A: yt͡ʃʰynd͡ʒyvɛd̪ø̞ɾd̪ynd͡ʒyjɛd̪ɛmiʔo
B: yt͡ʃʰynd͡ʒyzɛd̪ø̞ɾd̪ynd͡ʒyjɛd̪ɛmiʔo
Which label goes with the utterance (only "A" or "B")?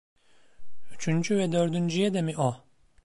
A